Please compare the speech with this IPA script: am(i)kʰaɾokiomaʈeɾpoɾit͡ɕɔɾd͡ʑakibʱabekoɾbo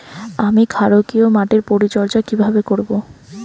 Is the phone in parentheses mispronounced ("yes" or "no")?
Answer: no